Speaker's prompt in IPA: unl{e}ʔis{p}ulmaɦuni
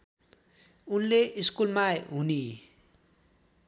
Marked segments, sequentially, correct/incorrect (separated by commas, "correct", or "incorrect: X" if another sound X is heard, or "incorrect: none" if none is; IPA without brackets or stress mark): correct, incorrect: k